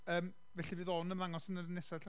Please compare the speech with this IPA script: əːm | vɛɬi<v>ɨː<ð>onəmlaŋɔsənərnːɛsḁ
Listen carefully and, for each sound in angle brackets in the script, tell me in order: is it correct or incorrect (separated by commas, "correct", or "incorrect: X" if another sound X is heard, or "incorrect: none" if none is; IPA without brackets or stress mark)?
correct, correct